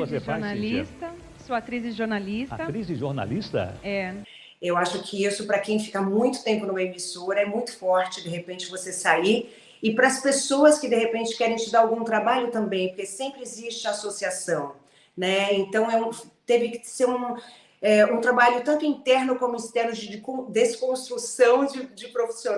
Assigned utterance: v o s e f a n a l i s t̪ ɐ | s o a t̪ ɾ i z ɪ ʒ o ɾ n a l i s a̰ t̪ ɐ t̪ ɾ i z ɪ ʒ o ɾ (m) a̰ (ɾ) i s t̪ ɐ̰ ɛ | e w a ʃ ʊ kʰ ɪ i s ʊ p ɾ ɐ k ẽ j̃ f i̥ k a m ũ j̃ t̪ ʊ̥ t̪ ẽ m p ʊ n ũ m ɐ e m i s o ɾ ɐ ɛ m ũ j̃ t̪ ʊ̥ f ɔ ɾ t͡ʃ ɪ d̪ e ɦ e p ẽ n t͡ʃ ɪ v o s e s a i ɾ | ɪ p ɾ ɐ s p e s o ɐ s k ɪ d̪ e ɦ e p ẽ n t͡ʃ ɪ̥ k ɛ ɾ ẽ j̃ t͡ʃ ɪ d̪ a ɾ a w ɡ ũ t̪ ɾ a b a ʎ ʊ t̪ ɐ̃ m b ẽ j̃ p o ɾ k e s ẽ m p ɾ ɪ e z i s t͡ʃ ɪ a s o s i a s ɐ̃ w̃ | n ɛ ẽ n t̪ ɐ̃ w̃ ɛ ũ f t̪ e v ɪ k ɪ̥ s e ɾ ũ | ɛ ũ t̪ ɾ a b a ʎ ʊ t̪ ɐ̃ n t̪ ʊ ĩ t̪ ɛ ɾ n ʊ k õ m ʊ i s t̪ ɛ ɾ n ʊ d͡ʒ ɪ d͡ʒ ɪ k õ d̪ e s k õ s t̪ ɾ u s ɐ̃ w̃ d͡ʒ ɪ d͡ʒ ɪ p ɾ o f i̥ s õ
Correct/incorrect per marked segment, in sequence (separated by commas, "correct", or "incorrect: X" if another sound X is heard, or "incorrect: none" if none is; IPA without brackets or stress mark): incorrect: n, incorrect: l